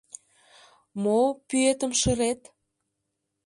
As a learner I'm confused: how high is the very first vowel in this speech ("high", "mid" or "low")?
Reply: mid